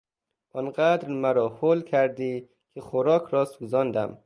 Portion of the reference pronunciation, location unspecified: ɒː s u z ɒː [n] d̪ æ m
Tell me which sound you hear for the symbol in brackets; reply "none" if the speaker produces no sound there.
n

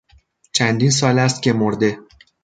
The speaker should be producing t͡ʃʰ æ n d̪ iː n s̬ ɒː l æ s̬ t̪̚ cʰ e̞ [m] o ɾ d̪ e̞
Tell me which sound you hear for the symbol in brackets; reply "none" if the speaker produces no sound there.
m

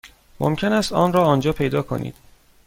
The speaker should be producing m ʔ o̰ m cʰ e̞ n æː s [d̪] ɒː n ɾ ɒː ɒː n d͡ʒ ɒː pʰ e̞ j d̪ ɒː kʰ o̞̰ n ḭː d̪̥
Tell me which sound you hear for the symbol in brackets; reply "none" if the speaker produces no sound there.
t̪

